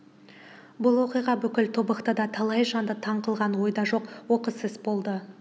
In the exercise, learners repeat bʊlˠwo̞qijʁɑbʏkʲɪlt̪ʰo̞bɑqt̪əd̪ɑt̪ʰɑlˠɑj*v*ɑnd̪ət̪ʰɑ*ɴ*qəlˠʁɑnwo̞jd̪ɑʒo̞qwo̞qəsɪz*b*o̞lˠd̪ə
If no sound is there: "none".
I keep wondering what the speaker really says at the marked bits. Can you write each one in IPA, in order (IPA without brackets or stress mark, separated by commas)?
ʒ, ɴ, b